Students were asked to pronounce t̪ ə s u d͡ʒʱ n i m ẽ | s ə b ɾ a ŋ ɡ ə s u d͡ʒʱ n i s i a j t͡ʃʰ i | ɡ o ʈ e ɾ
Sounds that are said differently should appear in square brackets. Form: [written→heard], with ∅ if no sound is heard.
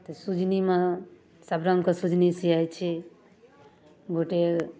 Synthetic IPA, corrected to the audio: t̪ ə s u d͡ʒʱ n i m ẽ | s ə b ɾ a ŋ [ɡ→k] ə s u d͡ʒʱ n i s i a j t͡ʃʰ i | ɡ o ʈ e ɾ

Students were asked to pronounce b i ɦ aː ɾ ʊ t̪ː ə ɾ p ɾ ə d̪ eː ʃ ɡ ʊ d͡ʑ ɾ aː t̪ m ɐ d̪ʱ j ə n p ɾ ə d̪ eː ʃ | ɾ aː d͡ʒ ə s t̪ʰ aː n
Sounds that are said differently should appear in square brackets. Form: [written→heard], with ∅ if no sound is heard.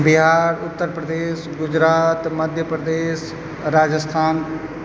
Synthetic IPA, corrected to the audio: b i ɦ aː ɾ ʊ t̪ː ə ɾ p ɾ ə d̪ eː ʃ ɡ ʊ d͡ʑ ɾ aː t̪ m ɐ d̪ʱ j ə [n→∅] p ɾ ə d̪ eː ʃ | ɾ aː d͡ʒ ə s t̪ʰ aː n

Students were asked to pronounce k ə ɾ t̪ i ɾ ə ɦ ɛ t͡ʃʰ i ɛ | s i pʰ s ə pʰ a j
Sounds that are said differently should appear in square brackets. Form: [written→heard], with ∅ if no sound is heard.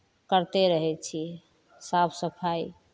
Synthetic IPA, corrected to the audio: k ə ɾ t̪ [i→e] ɾ ə ɦ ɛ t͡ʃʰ i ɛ | s [i→a] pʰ s ə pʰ a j

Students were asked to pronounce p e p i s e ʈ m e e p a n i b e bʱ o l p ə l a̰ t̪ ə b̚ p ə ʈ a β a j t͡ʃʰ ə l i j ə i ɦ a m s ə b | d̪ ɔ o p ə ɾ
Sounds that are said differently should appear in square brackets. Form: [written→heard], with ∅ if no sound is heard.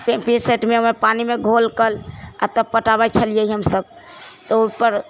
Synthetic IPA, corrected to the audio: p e p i s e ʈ m e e p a n i [b→m] e [bʱ→ɡʱ] o l [p→k] ə l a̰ t̪ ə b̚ p ə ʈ a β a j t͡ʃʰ ə l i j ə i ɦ [a→ə] m s ə b | [d̪→t̪] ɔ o p ə ɾ

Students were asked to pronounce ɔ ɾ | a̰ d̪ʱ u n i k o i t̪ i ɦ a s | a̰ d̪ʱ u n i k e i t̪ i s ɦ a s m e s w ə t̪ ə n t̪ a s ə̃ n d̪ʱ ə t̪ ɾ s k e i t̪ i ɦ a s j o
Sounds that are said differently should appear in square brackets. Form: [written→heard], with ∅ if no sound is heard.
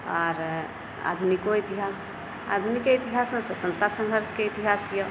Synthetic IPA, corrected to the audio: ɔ ɾ | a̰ d̪ʱ u n i k o i t̪ i ɦ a s | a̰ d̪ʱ u n i k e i t̪ i [s→∅] ɦ a s m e s w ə t̪ ə n t̪ a s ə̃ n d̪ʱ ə [t̪→∅] ɾ s k e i t̪ i ɦ a s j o

